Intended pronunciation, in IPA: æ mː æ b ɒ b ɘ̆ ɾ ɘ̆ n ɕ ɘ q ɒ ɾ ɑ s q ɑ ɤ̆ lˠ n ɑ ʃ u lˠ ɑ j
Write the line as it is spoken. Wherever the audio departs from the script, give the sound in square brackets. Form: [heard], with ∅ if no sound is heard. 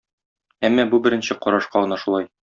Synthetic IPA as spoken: æ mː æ b [u] b ɘ̆ ɾ ɘ̆ n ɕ ɘ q ɒ ɾ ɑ [ʃ] q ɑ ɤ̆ [∅] n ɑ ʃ u lˠ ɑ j